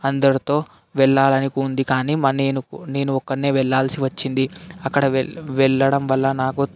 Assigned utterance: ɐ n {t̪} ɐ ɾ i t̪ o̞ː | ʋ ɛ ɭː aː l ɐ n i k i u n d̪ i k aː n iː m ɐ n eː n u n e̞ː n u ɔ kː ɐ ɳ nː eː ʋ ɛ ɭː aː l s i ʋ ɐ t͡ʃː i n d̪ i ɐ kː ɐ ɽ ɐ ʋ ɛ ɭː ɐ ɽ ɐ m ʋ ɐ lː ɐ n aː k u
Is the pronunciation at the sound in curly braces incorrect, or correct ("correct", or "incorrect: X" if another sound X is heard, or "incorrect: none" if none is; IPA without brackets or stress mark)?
incorrect: d̪